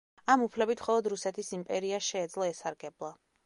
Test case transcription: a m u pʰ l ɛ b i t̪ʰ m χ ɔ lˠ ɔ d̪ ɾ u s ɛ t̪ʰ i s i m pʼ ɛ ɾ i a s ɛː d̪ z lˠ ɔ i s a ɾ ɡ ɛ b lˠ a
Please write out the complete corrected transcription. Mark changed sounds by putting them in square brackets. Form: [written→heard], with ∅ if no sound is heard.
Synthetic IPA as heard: a m u pʰ l ɛ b i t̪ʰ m χ ɔ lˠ ɔ d̪ ɾ u s ɛ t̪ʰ i s i m pʼ ɛ ɾ i a [s→ʃ] ɛː d̪ z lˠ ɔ [i→ɛ] s a ɾ ɡ ɛ b lˠ a